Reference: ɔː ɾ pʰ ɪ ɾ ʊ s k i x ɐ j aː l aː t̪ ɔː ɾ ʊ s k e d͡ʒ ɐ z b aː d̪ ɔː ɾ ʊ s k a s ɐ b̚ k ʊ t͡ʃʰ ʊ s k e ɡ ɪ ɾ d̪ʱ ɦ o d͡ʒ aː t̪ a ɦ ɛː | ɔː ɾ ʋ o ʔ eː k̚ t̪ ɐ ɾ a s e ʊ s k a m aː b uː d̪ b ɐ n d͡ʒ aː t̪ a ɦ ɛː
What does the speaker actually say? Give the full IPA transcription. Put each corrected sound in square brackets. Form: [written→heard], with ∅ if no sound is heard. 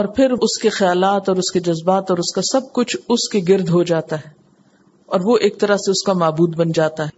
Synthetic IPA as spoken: ɔː ɾ pʰ ɪ ɾ ʊ s k [i→e] x ɐ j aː l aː t̪ ɔː ɾ ʊ s k e d͡ʒ ɐ z b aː [d̪→t̪] ɔː ɾ ʊ s k a s ɐ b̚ k ʊ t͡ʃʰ ʊ s k e ɡ ɪ ɾ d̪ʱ ɦ o d͡ʒ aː t̪ a ɦ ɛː | ɔː ɾ ʋ o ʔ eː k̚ t̪ ɐ ɾ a s e ʊ s k a m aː b uː d̪ b ɐ n d͡ʒ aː t̪ a ɦ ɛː